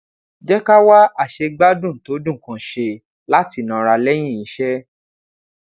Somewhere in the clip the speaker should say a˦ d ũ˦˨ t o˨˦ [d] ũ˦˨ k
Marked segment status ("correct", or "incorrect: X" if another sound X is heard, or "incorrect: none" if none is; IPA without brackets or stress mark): correct